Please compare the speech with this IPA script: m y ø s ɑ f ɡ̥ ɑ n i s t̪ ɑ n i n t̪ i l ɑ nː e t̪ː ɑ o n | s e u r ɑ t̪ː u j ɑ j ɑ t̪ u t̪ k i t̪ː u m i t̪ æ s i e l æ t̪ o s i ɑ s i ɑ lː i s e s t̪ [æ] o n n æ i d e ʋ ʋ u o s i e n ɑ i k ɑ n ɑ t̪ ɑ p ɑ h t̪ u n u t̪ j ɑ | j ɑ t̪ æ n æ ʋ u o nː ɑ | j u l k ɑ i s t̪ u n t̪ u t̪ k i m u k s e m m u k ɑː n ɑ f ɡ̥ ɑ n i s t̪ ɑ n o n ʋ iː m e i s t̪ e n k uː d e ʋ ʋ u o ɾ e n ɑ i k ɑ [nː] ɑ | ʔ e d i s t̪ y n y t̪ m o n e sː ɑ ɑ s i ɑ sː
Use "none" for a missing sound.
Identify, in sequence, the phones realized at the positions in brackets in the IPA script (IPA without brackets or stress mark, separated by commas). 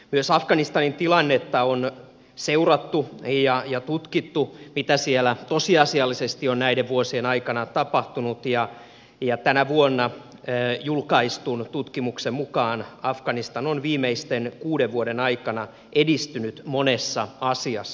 i, n